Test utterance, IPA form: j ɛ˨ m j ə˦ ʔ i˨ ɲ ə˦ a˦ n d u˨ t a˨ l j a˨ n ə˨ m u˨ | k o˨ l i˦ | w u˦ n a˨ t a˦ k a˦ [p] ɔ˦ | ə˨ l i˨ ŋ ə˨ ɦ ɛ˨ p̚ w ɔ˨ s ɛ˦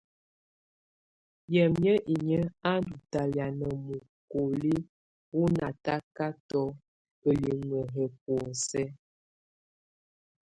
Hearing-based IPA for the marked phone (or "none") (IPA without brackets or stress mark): t